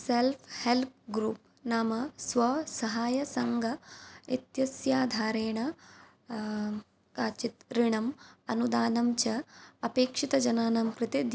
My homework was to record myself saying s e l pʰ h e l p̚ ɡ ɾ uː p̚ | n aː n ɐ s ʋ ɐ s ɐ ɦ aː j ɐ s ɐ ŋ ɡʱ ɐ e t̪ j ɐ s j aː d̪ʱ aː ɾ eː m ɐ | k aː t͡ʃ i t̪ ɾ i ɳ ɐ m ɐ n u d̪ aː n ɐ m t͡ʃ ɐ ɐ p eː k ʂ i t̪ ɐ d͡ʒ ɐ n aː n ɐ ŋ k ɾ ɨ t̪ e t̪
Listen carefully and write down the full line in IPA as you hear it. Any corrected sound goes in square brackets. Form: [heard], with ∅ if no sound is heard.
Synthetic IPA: s e l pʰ h e l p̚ ɡ ɾ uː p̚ | n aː [m] ɐ s ʋ ɐ s ɐ ɦ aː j ɐ s ɐ ŋ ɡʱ ɐ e t̪ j ɐ s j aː d̪ʱ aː ɾ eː [ɳ] ɐ | k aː t͡ʃ i t̪ ɾ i ɳ ɐ m ɐ n u d̪ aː n ɐ m t͡ʃ ɐ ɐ p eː k ʂ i t̪ ɐ d͡ʒ ɐ n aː n ɐ [m] k ɾ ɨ t̪ e [d̪]